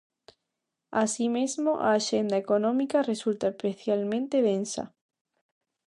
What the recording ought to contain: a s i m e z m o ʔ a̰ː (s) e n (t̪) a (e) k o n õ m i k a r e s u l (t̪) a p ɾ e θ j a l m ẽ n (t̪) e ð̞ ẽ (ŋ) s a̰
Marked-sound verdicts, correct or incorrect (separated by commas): incorrect, incorrect, correct, correct, correct, incorrect